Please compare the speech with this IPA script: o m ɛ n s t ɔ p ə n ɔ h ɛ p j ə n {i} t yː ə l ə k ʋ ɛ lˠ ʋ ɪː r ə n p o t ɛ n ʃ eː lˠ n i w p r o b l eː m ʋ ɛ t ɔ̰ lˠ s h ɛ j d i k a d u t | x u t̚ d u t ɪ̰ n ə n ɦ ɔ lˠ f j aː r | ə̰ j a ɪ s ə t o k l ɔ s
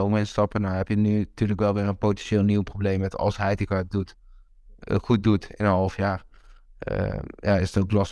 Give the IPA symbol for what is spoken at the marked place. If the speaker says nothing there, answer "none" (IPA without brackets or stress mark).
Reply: y